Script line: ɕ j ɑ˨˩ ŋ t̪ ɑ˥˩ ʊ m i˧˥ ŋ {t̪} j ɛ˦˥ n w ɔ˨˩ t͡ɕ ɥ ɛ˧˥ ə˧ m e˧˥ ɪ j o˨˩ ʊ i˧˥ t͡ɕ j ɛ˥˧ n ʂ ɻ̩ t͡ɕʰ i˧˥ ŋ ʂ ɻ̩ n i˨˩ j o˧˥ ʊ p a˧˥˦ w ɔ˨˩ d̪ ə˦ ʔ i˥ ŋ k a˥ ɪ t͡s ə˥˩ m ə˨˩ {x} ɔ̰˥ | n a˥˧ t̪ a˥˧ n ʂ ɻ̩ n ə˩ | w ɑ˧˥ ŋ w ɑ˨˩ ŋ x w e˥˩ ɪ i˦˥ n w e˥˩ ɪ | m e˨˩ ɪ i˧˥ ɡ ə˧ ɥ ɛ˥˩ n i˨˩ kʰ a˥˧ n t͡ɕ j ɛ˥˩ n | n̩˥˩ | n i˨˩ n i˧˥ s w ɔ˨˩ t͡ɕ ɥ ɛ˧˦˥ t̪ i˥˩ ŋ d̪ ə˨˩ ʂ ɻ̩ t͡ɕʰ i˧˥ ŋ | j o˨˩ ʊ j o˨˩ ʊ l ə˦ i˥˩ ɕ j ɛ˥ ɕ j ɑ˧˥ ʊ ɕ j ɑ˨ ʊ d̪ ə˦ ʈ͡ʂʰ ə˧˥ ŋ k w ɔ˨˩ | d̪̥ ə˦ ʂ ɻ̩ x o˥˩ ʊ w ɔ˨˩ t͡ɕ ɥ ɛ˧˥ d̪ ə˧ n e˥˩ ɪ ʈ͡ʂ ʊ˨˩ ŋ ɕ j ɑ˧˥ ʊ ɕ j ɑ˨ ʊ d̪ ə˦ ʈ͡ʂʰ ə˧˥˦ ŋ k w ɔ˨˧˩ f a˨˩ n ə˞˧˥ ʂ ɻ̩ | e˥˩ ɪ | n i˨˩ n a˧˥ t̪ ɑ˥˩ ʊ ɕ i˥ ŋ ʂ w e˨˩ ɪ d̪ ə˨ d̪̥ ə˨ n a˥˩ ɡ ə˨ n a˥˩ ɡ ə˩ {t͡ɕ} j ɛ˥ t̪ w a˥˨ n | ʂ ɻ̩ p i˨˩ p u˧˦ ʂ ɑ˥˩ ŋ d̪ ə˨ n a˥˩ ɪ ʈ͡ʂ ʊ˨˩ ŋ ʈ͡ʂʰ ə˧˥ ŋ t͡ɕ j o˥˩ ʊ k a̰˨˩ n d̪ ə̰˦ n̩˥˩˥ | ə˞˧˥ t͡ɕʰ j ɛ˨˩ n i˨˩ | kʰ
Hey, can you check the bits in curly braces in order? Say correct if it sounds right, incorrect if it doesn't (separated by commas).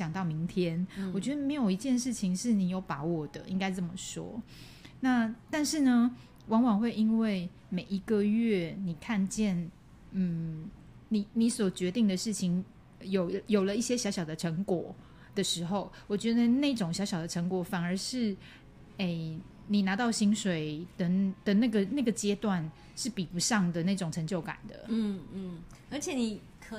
incorrect, incorrect, correct